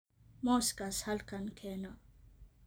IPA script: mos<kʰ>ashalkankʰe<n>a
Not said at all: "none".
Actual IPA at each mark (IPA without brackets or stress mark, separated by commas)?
k, n